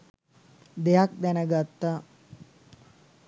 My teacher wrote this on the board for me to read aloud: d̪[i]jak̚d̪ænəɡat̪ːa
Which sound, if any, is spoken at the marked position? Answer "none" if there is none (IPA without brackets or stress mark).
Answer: e